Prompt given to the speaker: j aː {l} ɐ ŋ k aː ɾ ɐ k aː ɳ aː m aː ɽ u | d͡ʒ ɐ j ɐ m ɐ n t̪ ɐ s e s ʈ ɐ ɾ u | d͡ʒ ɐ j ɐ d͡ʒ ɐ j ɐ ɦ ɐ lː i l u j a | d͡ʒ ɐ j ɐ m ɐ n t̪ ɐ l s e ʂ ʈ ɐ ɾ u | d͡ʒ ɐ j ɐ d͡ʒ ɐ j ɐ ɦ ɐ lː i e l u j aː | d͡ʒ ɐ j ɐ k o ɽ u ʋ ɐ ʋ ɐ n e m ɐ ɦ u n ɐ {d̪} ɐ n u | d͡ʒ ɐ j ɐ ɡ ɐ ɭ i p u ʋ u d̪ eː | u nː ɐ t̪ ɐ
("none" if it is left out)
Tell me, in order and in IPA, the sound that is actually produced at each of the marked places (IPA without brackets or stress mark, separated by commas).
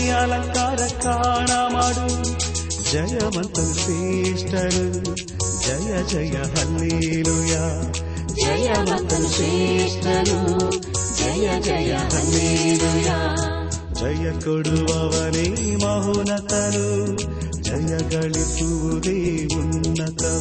l, t̪